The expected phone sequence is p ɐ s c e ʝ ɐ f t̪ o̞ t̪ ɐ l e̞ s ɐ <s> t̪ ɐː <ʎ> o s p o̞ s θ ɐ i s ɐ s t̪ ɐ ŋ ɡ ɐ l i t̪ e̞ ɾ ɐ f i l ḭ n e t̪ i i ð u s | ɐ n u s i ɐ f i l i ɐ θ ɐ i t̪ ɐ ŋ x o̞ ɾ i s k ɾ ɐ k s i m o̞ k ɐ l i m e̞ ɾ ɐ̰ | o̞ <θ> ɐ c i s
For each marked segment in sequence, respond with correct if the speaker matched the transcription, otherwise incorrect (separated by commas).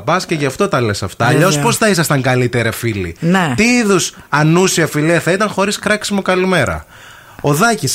incorrect, correct, incorrect